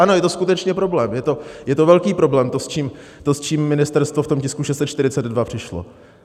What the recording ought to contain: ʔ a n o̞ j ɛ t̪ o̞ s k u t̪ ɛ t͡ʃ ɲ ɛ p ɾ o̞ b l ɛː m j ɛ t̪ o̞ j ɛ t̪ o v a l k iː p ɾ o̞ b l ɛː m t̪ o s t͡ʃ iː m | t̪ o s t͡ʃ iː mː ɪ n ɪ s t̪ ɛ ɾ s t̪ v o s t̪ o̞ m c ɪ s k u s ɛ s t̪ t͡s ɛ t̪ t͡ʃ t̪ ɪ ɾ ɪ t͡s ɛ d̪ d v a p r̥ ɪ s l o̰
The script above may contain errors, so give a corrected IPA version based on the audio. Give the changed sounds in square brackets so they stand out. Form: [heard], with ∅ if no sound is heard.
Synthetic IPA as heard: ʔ a n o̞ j ɛ t̪ o̞ s k u t̪ ɛ t͡ʃ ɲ ɛ p ɾ o̞ b l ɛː m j ɛ t̪ o̞ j ɛ t̪ o v [ɛ] l k iː p ɾ o̞ b l ɛː m t̪ o s t͡ʃ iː m | t̪ o s t͡ʃ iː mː ɪ n ɪ s t̪ ɛ ɾ s t̪ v o [f] t̪ o̞ m c ɪ s k u [ʃ] ɛ s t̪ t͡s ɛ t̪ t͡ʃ t̪ ɪ ɾ ɪ t͡s ɛ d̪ d v a p r̥ ɪ [ʃ] l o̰